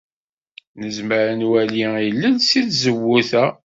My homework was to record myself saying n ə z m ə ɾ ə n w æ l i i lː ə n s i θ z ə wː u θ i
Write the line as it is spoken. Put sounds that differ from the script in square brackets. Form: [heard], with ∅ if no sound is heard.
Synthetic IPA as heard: n ə z m ə ɾ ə n w æ l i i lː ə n s i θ z ə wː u θ [æ]